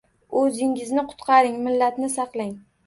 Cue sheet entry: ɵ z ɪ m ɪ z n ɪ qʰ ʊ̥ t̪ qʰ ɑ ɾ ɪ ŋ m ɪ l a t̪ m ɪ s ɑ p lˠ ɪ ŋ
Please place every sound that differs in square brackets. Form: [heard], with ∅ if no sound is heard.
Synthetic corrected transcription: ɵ z ɪ [ŋ] ɪ z n ɪ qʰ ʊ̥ t̪ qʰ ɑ ɾ ɪ ŋ m ɪ [lː] a t̪ [n] ɪ s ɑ [q] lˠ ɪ ŋ